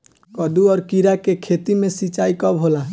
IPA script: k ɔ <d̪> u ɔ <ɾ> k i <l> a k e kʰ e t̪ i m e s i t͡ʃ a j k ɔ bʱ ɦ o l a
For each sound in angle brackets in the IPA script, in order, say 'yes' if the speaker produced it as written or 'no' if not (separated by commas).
yes, yes, no